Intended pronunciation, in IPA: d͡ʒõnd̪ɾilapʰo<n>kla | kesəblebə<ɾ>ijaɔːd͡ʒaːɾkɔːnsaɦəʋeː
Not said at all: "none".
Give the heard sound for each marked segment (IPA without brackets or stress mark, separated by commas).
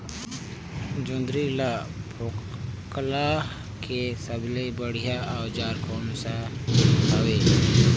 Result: none, ɽ